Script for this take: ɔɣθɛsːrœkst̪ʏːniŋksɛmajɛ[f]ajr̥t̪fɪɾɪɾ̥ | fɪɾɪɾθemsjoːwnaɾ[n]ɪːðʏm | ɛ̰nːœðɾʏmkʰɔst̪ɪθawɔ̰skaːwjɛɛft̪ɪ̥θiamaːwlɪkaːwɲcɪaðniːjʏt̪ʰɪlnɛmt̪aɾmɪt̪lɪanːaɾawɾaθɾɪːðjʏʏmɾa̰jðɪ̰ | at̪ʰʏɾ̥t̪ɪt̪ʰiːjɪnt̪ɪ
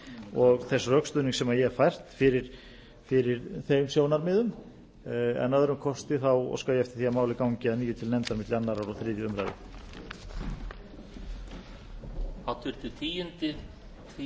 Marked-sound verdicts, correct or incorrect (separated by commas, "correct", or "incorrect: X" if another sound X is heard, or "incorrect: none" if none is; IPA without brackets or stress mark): correct, incorrect: m